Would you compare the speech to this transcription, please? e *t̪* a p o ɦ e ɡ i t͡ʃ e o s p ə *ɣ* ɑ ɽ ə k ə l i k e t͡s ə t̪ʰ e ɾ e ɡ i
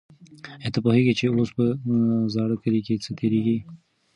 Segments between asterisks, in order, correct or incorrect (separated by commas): correct, incorrect